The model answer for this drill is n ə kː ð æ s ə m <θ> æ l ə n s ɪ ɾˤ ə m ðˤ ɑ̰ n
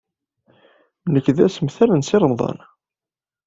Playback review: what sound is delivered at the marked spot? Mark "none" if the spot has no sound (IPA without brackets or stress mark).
θ